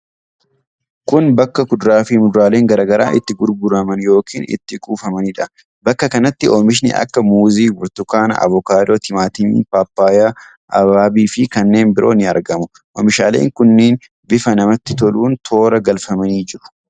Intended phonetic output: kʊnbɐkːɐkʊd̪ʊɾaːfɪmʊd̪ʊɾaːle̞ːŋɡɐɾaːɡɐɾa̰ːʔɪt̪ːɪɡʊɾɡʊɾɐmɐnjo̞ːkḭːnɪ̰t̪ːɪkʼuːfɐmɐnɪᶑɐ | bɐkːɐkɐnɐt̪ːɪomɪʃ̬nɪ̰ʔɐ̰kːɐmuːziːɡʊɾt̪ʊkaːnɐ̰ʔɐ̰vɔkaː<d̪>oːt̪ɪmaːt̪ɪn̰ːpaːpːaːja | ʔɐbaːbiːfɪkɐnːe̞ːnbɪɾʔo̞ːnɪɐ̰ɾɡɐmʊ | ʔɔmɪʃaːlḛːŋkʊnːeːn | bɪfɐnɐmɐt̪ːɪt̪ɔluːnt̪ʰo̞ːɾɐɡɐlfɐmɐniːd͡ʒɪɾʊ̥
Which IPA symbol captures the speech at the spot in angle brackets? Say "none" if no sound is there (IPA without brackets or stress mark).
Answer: d̪